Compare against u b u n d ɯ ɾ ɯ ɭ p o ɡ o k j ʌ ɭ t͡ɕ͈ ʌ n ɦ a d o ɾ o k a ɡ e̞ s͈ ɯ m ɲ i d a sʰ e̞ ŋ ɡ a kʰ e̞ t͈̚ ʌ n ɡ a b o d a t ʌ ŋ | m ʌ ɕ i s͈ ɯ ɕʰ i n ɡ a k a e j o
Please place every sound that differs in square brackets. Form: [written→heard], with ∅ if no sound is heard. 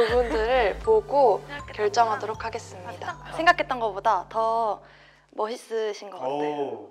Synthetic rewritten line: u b u n d ɯ ɾ ɯ ɭ p o ɡ o k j ʌ ɭ t͡ɕ͈ ʌ [n→ŋ] ɦ a d o ɾ o [k→kʰ] a ɡ e̞ s͈ ɯ m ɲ i d a sʰ e̞ ŋ ɡ a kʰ e̞ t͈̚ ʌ n ɡ [a→ʌ] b o d a t ʌ [ŋ→∅] | m ʌ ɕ i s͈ ɯ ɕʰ i n ɡ [a→ʌ] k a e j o